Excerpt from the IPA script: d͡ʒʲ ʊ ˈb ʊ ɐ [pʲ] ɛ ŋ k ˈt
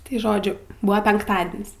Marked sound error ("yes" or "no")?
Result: no